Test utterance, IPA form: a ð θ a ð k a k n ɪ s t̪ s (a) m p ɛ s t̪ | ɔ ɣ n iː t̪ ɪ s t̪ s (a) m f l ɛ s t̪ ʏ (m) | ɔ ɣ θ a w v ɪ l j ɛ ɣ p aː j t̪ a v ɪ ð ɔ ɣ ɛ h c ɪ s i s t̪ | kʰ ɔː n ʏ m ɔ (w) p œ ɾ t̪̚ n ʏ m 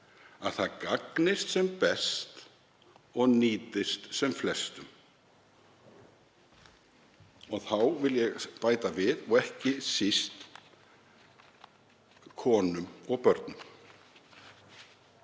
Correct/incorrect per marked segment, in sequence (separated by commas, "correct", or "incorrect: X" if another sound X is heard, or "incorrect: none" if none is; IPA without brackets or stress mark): incorrect: ɛ, incorrect: ɛ, correct, incorrect: ɣ